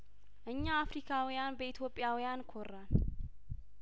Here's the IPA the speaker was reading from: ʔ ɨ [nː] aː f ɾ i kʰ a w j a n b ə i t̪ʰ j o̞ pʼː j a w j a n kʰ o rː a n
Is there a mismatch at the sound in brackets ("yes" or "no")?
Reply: yes